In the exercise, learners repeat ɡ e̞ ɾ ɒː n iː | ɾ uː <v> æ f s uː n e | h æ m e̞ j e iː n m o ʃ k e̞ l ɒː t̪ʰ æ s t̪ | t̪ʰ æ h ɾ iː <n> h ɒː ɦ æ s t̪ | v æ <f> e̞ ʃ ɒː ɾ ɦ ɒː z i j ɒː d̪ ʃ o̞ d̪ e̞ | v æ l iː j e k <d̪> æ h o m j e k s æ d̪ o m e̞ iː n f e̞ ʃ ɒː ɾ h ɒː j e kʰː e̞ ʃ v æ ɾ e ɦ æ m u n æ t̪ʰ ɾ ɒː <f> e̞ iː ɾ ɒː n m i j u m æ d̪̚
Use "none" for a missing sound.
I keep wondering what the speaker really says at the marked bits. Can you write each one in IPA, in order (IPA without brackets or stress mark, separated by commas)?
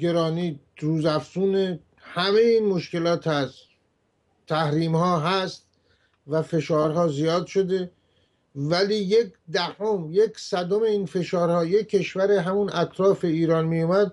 z, m, f, d̪, f